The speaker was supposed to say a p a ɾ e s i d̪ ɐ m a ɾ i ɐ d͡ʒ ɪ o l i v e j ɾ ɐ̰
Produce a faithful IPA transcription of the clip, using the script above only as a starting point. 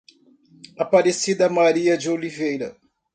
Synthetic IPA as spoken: a p a ɾ e s i d̪ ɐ m a ɾ i ɐ d͡ʒ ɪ o l i v e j ɾ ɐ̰